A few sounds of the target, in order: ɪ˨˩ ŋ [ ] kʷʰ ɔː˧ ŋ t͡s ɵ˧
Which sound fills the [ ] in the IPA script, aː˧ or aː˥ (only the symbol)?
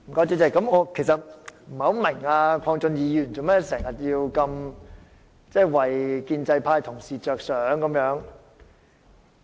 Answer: aː˧